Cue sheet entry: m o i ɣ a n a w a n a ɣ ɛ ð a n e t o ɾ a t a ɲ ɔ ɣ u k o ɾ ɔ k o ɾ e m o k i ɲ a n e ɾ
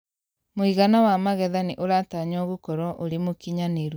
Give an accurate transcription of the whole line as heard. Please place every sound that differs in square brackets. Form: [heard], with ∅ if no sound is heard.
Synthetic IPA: m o i ɣ a n a w a [m] a ɣ ɛ ð a n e [ʔ] o ɾ a t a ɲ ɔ ɣ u k [ɔ] ɾ ɔ [ʔ] o ɾ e m o k i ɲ a n e ɾ